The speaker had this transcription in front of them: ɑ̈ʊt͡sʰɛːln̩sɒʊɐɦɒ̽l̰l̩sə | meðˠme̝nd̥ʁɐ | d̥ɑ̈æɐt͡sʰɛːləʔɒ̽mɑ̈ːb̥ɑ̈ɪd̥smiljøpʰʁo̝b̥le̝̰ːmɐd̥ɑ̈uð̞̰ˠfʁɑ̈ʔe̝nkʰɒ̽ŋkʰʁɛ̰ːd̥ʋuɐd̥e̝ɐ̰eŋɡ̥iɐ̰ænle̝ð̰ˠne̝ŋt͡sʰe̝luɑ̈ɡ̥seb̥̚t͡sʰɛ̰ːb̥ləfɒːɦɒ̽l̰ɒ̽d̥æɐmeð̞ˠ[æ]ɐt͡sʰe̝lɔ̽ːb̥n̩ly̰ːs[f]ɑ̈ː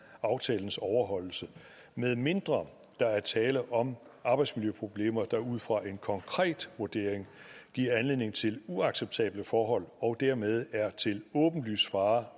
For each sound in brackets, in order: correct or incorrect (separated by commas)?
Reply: correct, correct